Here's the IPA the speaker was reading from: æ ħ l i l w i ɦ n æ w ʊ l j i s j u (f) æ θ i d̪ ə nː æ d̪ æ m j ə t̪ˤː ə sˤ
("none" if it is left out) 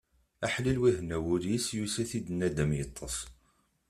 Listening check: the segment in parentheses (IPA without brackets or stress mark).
s